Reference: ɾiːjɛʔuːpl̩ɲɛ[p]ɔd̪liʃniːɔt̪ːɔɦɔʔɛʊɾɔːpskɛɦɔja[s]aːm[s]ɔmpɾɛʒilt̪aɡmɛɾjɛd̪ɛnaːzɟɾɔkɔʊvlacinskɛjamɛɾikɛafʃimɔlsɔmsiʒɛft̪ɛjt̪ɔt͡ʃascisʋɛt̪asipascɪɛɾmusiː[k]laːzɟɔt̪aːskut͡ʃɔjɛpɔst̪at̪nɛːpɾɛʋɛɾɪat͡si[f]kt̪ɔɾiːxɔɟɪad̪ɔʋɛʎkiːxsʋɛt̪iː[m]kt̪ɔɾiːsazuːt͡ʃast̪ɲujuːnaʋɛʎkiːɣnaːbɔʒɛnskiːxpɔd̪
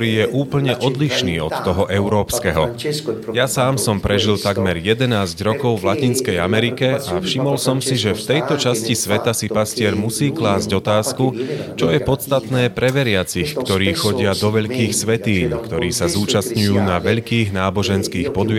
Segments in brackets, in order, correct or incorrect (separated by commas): incorrect, correct, correct, correct, incorrect, incorrect